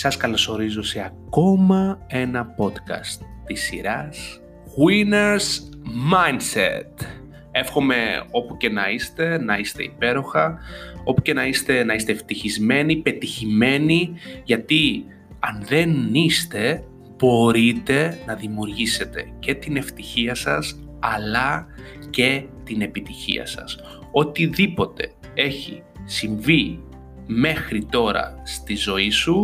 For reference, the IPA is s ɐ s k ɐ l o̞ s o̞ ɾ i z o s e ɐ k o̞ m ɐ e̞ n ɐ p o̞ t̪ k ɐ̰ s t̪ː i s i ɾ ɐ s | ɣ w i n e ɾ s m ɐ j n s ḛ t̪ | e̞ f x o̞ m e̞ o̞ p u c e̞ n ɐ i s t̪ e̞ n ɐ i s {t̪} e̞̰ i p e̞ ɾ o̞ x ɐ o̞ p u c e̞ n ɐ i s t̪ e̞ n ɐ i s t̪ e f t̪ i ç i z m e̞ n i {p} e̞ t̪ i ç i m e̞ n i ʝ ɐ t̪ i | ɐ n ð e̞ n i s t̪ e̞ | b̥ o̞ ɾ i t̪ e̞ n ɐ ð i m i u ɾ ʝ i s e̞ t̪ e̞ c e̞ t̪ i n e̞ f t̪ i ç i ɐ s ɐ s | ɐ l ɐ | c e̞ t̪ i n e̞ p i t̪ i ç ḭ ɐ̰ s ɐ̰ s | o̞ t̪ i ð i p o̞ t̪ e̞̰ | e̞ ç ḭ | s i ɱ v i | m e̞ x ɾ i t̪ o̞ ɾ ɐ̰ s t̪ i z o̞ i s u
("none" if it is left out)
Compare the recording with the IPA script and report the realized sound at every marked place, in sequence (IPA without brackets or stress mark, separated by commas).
t̪, p